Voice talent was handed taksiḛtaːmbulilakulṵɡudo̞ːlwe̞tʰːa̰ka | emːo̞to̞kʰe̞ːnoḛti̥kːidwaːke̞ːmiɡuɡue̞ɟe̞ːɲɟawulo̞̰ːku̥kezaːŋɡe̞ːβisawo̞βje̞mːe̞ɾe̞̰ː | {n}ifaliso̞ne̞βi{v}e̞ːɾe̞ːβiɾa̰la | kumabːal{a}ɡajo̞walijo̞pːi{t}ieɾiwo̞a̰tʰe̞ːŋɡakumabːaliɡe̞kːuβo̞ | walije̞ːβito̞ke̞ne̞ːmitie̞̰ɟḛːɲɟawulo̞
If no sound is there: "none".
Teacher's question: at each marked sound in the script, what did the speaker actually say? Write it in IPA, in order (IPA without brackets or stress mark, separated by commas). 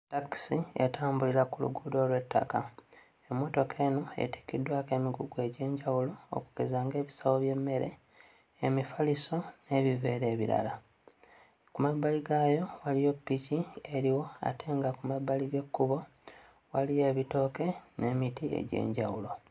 m, v, i, c